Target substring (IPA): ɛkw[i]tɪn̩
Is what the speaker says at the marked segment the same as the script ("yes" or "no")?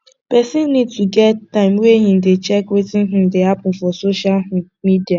no